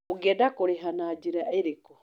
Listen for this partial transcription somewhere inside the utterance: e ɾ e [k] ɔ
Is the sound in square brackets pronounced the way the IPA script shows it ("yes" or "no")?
yes